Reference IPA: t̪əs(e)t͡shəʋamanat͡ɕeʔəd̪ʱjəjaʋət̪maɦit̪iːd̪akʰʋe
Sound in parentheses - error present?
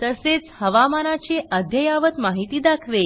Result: no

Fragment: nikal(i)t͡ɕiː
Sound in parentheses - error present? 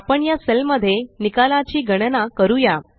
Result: yes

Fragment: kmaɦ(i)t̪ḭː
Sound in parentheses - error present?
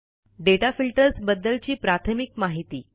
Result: no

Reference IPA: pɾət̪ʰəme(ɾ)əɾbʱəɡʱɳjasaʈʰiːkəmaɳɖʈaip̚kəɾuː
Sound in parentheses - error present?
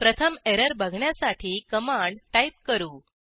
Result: no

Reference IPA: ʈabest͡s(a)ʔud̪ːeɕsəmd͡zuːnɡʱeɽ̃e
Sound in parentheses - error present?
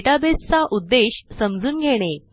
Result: no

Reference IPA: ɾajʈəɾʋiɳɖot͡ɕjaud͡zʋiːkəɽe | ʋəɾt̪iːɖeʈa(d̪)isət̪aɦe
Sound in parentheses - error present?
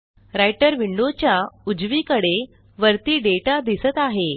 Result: no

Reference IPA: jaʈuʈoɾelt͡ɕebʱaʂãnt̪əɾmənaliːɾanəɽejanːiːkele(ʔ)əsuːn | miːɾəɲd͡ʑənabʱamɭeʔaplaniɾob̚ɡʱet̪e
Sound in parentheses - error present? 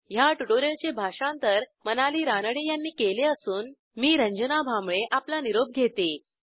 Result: yes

